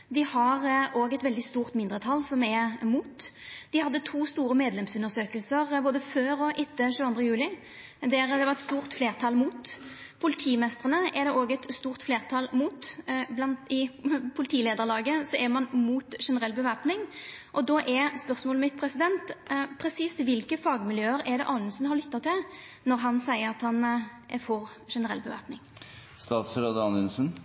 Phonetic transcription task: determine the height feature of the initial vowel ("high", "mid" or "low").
high